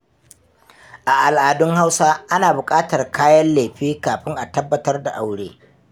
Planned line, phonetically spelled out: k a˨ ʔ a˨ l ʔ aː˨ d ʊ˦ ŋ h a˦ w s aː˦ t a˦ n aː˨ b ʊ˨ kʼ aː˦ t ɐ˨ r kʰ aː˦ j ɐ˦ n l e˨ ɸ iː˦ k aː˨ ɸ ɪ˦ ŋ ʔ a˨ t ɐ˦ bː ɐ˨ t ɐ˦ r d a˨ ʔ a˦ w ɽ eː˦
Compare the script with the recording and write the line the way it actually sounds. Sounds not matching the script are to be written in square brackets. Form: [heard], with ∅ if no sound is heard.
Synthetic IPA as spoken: [ʔ] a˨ ʔ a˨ l ʔ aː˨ d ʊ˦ ŋ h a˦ w s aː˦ [ʔ] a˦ n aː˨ b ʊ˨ kʼ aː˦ t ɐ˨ r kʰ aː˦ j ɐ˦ n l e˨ ɸ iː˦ k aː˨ ɸ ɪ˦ ŋ ʔ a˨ t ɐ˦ bː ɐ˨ t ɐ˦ r d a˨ ʔ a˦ w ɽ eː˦

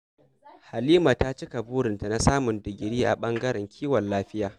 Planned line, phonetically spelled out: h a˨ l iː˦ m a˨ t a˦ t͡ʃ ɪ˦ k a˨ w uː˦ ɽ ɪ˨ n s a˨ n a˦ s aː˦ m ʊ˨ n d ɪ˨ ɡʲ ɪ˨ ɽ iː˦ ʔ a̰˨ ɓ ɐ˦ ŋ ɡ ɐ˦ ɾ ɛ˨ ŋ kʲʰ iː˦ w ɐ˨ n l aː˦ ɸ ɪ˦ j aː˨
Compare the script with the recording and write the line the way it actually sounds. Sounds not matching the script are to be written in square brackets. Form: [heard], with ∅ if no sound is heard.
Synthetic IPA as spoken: h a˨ l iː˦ m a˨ t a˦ t͡ʃ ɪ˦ k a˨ [b] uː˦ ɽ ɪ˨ n [t] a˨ n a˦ s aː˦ m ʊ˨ n d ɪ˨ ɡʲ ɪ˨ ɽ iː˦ ʔ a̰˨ ɓ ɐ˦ ŋ ɡ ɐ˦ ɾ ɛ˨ ŋ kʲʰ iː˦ w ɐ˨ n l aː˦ ɸ ɪ˦ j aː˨

